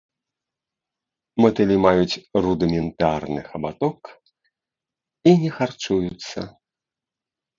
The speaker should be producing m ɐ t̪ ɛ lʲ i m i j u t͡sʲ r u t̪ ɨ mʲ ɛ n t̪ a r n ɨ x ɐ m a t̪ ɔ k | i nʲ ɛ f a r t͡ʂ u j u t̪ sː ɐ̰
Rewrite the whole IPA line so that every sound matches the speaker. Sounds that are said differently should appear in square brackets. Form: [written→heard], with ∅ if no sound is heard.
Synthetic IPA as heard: m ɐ t̪ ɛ lʲ i m [i→a] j u t͡sʲ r u [t̪→d̪] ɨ mʲ ɛ n t̪ a r n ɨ x ɐ [m→b] a t̪ ɔ k | i nʲ ɛ [f→x] a r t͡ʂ u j u t̪ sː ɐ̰